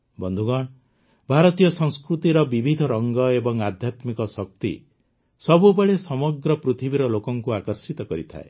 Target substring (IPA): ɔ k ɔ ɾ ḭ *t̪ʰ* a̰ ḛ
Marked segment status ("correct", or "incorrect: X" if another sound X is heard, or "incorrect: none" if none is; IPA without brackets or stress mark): correct